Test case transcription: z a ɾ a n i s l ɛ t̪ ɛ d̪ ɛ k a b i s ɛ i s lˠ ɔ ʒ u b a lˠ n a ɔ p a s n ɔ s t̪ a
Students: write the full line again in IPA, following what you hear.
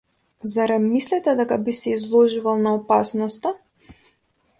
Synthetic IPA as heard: z a ɾ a m i s l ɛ t̪ ɛ d̪ ɛ k a b i s ɛ i z lˠ ɔ ʒ u v a lˠ n a ɔ p a s n ɔ s t̪ a